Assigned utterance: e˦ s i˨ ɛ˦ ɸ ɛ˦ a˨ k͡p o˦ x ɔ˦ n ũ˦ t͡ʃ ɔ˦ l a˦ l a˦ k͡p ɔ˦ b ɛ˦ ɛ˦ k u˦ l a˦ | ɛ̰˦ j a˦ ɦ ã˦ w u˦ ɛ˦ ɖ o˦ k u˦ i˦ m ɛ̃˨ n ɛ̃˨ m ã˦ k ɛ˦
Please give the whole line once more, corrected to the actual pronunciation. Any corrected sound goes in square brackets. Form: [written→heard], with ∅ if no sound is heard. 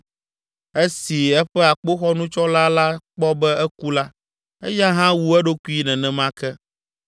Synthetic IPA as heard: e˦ s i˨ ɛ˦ ɸ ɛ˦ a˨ k͡p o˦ x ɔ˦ n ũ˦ t͡ʃ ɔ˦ l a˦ l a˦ k͡p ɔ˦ b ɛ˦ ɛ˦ k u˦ l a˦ | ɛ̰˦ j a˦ ɦ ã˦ w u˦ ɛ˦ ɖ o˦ k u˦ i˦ [m→n] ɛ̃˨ n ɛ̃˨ m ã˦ k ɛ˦